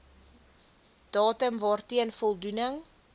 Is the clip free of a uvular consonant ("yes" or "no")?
yes